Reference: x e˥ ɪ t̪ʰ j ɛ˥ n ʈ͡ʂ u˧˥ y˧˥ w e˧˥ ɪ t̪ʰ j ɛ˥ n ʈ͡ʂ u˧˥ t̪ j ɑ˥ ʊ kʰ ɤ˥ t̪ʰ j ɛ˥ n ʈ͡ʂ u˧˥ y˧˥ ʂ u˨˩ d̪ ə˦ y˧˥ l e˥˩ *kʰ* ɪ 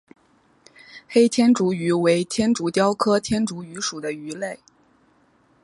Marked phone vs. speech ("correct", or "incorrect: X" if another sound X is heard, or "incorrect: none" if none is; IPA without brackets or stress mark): incorrect: none